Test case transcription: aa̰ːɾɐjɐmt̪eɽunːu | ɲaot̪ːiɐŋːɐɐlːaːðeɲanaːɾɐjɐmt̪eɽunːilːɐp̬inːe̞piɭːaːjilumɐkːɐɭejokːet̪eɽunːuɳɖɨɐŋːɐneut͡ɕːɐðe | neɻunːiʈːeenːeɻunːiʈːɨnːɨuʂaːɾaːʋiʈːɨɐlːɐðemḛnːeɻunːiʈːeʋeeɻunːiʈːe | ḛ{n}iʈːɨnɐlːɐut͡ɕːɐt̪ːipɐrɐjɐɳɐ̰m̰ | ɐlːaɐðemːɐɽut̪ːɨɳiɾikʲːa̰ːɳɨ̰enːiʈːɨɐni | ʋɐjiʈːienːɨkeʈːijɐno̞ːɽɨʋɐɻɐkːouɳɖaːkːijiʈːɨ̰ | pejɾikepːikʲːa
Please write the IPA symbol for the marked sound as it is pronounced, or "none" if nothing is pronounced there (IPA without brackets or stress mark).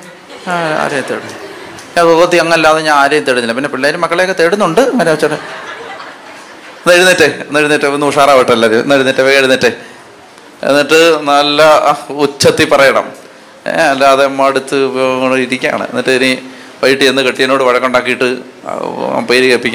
nː